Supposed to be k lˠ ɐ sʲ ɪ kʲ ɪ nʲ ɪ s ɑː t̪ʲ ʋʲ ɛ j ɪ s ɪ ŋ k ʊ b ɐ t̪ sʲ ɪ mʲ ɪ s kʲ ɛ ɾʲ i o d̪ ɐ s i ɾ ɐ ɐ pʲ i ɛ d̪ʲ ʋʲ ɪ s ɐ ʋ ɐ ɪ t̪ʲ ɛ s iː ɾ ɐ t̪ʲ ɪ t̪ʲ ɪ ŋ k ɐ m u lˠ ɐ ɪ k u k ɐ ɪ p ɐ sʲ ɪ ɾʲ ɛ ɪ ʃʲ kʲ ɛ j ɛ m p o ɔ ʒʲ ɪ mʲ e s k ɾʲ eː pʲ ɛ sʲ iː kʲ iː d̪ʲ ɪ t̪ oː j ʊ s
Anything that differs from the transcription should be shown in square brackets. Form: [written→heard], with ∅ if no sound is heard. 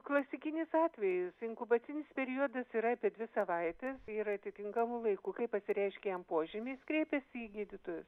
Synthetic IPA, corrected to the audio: k lˠ ɐ sʲ ɪ kʲ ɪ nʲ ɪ s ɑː t̪ʲ ʋʲ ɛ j ɪ s ɪ ŋ k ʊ b ɐ t̪ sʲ ɪ [mʲ→nʲ] ɪ s [kʲ→pʲ] ɛ ɾʲ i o d̪ ɐ s i ɾ ɐ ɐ pʲ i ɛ d̪ʲ ʋʲ ɪ s ɐ ʋ ɐ ɪ t̪ʲ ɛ s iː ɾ ɐ t̪ʲ ɪ t̪ʲ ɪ ŋ k ɐ m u lˠ ɐ ɪ k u k ɐ ɪ p ɐ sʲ ɪ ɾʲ ɛ ɪ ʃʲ kʲ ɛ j ɛ m p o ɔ ʒʲ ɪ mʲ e s k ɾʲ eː pʲ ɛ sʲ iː [kʲ→ɡʲ] iː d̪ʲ ɪ t̪ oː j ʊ s